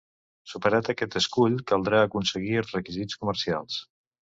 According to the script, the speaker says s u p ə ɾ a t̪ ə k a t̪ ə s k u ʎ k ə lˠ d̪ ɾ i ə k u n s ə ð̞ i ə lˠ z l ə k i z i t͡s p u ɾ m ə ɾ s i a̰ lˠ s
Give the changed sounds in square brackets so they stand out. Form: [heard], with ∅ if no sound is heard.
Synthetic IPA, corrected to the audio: s u p ə ɾ a t̪ ə k [ɛ] t̪ ə s k u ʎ k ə lˠ d̪ ɾ [a] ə k u n s ə [ɣ̞] i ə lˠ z [r] ə k i z i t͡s [k] u [∅] m ə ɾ s i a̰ lˠ s